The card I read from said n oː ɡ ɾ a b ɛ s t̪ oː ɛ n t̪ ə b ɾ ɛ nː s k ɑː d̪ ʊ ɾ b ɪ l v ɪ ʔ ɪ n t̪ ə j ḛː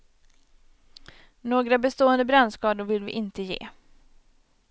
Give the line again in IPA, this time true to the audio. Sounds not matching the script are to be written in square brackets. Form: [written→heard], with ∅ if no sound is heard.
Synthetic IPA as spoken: n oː ɡ ɾ a b ɛ s t̪ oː ɛ n [t̪→d̪] ə b ɾ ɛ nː s k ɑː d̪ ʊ ɾ [b→v] ɪ l v ɪ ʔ ɪ n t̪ ə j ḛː